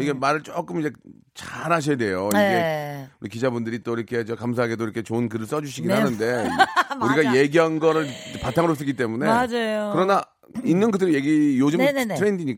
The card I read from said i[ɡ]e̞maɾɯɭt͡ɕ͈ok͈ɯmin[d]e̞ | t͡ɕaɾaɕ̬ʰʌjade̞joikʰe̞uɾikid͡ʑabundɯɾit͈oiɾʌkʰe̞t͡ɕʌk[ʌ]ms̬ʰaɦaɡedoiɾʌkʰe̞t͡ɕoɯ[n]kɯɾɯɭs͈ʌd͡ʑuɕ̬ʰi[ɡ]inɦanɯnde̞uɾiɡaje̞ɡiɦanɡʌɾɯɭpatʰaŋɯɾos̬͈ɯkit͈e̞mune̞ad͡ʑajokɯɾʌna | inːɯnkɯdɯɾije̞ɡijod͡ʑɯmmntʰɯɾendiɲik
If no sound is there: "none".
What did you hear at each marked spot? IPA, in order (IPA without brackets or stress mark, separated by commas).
ɡ, d͡ʑ, a, n, ɡ